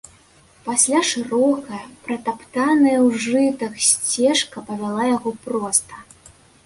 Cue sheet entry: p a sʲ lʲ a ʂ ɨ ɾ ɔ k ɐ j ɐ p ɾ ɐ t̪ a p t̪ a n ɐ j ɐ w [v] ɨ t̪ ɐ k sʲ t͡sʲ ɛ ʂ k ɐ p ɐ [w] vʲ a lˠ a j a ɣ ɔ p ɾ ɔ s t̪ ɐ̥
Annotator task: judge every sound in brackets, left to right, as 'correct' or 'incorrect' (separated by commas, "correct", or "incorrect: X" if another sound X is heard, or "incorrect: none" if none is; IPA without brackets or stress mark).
incorrect: ʐ, incorrect: none